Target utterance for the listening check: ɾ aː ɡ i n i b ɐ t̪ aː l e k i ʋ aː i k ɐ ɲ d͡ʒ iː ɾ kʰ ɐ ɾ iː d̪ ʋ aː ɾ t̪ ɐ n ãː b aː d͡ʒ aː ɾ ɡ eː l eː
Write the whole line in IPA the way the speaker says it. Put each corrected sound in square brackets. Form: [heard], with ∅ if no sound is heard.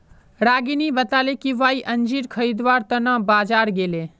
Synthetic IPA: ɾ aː ɡ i n i b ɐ t̪ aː l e k i ʋ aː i [ʔ] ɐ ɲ d͡ʒ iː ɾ kʰ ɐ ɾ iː d̪ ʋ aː ɾ t̪ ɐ n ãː b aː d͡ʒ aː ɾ ɡ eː l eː